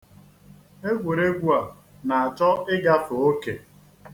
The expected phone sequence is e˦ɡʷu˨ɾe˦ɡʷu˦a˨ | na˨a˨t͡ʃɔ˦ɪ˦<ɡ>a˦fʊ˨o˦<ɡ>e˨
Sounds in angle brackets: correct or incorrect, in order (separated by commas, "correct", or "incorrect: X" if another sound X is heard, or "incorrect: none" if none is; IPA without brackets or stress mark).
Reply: correct, incorrect: k